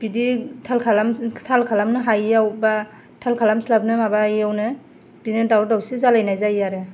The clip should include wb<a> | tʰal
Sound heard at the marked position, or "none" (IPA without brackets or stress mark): a